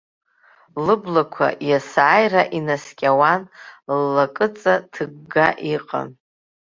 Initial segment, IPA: l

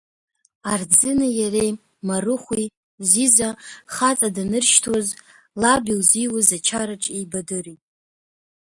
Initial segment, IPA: a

